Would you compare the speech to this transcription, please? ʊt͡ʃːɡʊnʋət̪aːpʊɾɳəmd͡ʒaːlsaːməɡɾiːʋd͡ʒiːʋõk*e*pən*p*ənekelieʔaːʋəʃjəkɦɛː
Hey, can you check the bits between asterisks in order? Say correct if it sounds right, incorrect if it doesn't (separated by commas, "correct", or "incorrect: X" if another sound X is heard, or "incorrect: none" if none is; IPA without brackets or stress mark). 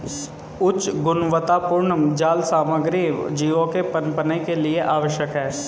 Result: correct, correct